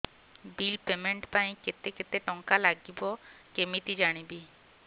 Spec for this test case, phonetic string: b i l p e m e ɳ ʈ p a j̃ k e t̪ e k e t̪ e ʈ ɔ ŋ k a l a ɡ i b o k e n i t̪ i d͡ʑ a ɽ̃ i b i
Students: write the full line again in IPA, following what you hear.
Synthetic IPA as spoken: b i l p e m e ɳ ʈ p a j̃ k e t̪ e k e t̪ e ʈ ɔ ŋ k a l a ɡ i b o k e m i t̪ i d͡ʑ a ɽ̃ i b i